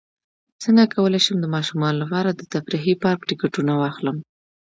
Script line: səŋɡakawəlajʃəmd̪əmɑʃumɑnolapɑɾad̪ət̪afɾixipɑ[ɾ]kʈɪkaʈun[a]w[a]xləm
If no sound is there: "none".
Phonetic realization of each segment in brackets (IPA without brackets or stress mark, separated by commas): ɾ, a, ɑ